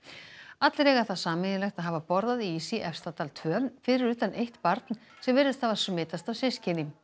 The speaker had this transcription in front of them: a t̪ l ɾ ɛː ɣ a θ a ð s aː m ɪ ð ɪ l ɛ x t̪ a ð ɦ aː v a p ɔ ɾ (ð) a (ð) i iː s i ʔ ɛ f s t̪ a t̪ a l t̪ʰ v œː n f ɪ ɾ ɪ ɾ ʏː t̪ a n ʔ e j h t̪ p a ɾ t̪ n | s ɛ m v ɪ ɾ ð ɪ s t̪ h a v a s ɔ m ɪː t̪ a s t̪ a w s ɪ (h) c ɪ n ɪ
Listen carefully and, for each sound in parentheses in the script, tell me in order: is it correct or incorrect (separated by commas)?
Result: correct, correct, incorrect